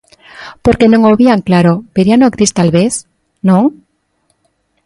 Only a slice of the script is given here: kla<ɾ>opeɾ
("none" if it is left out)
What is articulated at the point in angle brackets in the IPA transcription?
ɾ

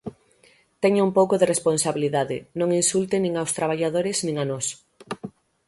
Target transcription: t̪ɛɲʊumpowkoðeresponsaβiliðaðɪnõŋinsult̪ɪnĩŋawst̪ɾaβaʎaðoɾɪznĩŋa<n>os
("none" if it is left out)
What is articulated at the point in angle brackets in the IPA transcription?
n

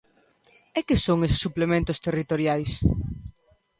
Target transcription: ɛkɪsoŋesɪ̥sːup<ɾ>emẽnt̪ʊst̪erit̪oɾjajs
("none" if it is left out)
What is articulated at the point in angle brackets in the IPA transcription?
l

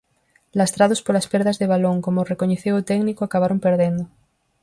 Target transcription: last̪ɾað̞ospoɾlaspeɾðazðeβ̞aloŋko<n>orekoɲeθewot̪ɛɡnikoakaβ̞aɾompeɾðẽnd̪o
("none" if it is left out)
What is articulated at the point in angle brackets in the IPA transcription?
m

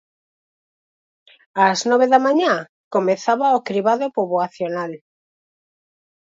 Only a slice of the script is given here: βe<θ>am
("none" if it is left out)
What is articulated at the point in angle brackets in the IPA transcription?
ð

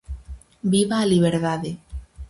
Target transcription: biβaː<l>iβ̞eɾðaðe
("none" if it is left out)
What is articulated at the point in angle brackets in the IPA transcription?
l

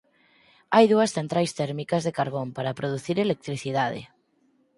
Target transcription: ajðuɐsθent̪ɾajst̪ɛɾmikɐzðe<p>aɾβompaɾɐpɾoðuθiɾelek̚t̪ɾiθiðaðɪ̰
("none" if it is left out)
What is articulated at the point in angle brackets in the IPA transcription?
k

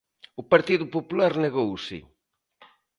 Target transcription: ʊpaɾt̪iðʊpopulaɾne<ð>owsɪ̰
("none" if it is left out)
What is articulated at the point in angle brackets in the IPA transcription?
ɣ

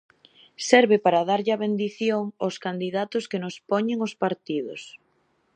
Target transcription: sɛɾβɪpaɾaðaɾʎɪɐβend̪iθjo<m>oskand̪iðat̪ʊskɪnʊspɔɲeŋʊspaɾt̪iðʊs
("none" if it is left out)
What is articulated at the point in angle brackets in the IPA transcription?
ŋ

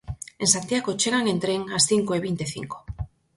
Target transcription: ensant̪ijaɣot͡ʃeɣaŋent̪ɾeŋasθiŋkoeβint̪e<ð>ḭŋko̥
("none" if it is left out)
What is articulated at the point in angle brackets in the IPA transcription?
θ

